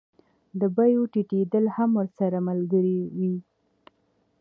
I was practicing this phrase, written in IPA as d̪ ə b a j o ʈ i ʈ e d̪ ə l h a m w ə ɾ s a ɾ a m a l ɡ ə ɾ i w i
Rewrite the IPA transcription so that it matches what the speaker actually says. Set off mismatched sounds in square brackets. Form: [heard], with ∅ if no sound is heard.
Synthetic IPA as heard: d̪ ə b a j o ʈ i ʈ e d̪ ə l h a m w ə ɾ s a ɾ a m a l ɡ ə ɾ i w i